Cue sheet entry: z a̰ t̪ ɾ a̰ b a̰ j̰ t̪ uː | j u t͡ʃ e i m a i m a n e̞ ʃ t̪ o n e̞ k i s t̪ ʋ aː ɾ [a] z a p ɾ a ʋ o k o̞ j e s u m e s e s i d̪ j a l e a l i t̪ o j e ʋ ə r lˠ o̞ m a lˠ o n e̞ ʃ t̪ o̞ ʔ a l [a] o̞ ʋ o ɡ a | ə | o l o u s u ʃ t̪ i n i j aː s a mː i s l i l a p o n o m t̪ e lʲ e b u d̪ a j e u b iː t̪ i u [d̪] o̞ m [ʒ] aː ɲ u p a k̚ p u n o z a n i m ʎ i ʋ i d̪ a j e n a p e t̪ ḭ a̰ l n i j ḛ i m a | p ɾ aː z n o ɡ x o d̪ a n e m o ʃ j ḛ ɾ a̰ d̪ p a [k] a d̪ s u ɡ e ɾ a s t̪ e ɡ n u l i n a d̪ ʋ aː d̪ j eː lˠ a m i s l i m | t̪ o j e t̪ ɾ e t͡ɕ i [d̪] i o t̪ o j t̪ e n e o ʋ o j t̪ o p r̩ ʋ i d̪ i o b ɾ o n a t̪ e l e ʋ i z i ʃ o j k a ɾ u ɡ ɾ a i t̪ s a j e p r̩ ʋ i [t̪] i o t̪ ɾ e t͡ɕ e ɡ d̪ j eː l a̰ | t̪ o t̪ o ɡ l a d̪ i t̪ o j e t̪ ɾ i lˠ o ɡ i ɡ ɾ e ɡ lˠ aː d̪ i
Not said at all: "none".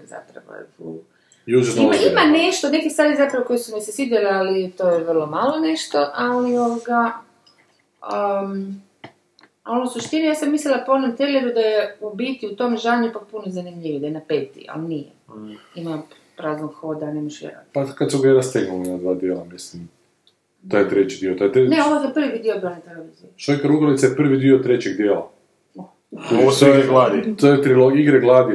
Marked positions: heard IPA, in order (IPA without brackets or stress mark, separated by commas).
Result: i, i, t̪, ʒ, k, d̪, d̪